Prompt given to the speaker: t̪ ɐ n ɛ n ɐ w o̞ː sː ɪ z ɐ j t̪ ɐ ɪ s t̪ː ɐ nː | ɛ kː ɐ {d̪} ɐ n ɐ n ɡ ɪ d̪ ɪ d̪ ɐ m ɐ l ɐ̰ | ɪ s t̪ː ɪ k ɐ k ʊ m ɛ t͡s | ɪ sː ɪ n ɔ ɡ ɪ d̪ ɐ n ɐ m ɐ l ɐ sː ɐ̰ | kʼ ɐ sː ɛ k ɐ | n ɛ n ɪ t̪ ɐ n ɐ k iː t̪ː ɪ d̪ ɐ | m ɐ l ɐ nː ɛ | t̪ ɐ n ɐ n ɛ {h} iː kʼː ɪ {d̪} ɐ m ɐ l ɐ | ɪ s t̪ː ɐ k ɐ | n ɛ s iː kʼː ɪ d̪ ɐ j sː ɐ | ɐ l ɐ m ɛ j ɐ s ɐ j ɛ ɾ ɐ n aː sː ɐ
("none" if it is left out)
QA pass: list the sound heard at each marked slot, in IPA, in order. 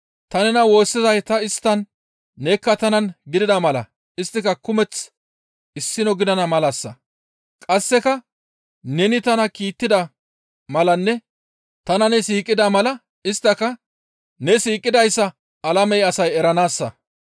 t̪, s, d̪

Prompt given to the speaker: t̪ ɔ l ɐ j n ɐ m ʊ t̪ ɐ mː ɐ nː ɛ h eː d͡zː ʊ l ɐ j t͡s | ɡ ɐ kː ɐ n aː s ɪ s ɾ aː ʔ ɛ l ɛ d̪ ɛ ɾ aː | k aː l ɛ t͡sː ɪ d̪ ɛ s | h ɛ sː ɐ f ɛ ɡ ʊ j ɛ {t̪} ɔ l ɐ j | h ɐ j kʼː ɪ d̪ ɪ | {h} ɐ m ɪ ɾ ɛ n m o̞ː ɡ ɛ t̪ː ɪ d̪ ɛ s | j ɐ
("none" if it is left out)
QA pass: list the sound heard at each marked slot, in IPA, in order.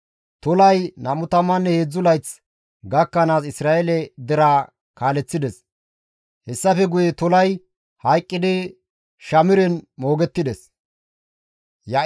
t̪, ʃ

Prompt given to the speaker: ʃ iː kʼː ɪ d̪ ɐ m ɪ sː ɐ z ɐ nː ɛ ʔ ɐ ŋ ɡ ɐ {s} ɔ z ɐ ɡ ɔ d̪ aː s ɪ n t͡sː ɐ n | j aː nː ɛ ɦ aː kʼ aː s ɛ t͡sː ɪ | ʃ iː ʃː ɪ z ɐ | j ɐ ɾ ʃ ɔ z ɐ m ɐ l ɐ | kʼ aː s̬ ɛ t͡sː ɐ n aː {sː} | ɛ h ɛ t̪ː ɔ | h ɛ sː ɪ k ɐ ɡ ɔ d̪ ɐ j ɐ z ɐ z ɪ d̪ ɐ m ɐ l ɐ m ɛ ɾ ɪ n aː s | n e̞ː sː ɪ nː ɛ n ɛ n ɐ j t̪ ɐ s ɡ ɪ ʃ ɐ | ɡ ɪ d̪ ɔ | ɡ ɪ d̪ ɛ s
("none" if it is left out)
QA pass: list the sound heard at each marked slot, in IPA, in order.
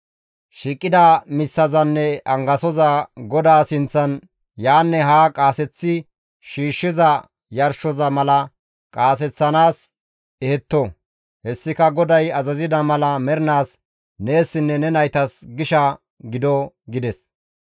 s, s

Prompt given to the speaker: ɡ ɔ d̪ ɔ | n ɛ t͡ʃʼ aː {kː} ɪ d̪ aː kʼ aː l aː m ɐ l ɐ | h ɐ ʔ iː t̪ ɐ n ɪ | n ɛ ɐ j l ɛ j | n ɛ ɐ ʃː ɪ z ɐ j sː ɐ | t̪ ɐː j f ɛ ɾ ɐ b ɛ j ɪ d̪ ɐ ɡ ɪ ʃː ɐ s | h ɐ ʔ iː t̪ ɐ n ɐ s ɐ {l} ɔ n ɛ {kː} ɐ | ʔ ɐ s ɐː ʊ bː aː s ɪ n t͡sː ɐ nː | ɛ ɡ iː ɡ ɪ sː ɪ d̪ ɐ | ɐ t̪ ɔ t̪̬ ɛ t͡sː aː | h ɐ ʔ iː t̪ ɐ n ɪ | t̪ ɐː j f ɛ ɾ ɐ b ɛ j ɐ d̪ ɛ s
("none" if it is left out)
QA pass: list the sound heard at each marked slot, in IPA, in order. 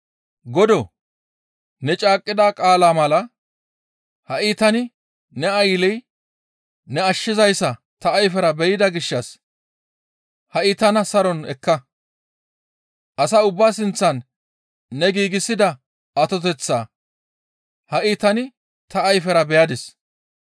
kʼː, ɾ, kː

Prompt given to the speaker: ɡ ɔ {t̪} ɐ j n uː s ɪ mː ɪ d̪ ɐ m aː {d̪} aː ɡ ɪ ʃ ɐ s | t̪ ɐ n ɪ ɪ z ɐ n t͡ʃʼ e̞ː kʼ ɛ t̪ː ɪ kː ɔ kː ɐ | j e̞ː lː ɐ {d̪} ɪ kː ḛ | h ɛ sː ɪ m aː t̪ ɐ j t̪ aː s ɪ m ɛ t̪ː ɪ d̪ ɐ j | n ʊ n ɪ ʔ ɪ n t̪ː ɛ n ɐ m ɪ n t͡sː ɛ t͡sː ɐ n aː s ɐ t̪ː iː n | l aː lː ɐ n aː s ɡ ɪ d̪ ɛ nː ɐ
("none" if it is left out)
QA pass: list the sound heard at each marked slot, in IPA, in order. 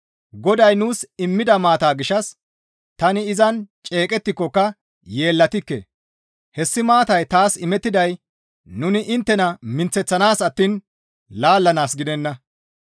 d̪, t̪, t̪

